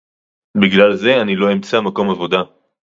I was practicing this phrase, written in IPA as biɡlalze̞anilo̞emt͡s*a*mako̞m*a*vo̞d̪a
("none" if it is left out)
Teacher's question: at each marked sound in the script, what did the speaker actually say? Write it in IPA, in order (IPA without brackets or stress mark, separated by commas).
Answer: a, a